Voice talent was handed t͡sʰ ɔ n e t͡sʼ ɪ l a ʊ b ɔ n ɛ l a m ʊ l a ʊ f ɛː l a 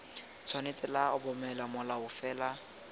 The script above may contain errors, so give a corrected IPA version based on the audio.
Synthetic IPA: t͡sʰ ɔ n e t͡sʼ ɪ l a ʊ b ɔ m ɛ l a m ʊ l a ʊ f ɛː l a